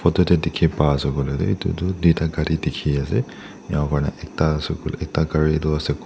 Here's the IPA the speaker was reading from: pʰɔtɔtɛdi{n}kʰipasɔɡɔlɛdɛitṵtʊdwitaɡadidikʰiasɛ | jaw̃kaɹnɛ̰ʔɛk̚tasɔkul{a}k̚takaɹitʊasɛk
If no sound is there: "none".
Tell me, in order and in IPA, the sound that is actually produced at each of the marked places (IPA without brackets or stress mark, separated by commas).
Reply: none, ɛ